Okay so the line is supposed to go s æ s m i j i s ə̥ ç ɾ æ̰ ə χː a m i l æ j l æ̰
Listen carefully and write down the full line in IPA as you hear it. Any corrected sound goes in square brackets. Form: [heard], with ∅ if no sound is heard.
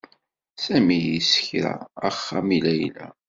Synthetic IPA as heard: s æ [∅] m i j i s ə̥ ç ɾ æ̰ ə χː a m i l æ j l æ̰